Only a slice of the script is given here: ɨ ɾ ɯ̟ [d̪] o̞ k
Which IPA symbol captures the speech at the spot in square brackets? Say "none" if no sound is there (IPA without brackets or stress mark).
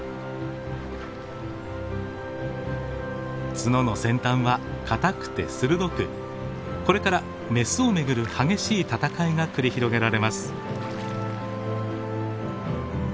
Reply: d̪